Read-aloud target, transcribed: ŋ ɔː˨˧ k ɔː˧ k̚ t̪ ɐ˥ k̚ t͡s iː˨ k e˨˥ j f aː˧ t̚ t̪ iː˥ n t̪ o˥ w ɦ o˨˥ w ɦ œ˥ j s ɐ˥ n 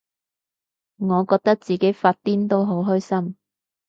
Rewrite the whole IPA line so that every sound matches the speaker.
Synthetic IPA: ŋ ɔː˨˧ k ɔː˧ k̚ t̪ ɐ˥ k̚ t͡s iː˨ k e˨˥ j f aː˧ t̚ t̪ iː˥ n t̪ o˥ w ɦ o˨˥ w ɦ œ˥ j s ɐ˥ m